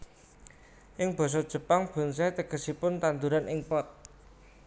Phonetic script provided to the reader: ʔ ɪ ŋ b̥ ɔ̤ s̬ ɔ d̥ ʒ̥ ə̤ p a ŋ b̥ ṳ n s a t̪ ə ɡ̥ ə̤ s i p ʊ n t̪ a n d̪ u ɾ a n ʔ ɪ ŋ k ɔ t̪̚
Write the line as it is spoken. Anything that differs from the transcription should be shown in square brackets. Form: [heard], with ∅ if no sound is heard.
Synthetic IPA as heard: ʔ ɪ ŋ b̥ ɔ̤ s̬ ɔ d̥ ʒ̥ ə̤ p a ŋ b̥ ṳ n s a t̪ ə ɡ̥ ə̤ s i p ʊ n t̪ a n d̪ u ɾ a n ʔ ɪ ŋ [p] ɔ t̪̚